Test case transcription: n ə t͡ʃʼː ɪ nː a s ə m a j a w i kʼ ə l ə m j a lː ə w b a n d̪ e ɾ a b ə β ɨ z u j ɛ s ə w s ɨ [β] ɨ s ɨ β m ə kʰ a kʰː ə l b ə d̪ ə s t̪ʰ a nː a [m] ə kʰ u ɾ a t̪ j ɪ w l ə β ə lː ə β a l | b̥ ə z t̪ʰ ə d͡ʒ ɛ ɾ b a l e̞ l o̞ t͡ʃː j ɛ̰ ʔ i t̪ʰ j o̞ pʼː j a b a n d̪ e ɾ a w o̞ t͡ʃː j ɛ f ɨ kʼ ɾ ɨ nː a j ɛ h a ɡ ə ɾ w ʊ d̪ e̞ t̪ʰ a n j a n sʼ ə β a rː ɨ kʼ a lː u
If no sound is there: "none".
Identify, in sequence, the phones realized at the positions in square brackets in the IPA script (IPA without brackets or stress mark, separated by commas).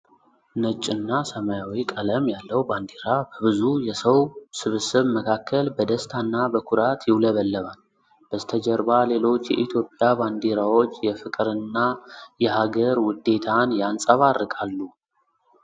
β, b